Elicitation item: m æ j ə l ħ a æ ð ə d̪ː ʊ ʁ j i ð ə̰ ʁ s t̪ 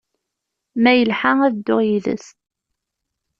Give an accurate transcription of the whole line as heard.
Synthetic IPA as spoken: m æ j ə l ħ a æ ð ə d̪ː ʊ ʁ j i ð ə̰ s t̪

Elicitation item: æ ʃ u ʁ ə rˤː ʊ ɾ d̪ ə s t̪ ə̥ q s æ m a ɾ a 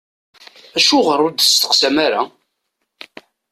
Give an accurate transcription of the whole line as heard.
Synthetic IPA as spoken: æ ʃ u ʁ ə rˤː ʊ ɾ d̪ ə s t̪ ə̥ q s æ m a ɾ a

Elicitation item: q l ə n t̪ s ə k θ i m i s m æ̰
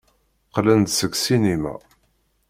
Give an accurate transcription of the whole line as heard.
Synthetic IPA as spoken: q l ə n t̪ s ə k s i n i m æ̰

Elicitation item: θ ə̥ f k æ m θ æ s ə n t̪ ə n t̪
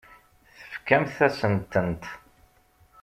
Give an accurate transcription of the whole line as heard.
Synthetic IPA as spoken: θ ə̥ f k æ m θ æ s ə n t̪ ə n t̪

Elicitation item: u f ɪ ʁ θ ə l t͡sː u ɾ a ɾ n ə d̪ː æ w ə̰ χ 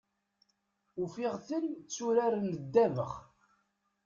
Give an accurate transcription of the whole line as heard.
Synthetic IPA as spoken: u f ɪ ʁ θ ə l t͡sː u ɾ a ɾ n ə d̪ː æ v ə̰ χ

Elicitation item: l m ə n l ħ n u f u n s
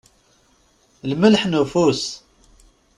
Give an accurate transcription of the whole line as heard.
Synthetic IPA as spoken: l m ə l ħ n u f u s

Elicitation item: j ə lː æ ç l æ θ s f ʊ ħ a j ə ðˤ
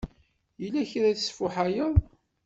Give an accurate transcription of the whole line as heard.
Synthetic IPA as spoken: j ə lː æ ç ɾ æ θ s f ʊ ħ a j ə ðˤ

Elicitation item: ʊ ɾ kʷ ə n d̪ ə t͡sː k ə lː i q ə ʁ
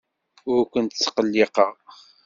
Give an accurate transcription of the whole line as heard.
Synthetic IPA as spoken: ʊ ɾ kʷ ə n t̪ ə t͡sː q ə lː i q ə ʁ

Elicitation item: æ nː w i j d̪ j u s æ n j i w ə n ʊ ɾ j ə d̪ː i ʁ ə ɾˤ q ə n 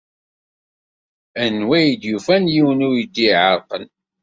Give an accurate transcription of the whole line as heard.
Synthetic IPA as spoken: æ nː w æ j d̪ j u f æ n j i w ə n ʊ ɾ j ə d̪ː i ʕ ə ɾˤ q ə n

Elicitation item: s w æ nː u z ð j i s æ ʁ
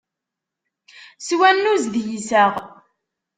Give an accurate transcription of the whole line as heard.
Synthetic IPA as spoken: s w æ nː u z ð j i s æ ʁ

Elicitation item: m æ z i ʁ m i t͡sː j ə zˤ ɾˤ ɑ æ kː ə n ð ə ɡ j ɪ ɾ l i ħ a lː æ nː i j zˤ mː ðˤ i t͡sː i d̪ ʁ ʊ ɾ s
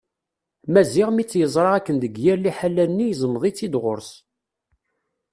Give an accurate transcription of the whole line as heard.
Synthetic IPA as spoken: m æ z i ʁ m i t͡sː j ə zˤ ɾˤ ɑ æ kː ə n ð ə ɡ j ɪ ɾ l i ħ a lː æ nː i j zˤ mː ðˤ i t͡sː i d̪ ʁ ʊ ɾ s

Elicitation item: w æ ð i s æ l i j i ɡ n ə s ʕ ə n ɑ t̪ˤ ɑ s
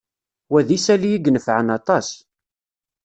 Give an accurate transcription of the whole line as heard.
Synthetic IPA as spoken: w æ ð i s æ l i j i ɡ n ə f ʕ ə n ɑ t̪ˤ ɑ s

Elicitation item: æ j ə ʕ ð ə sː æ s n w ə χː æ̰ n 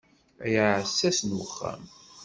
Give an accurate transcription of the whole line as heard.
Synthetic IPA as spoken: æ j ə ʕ ʕ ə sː æ s n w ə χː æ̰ m

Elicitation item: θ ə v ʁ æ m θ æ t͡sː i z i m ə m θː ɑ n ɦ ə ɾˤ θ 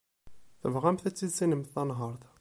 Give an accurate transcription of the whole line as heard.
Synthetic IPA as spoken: θ ə v ʁ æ m θ æ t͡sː i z i n ə m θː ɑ n ɦ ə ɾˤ θ

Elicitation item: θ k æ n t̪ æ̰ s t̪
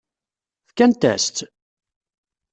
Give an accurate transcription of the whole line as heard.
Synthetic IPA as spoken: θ k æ n t̪ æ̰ s t̪

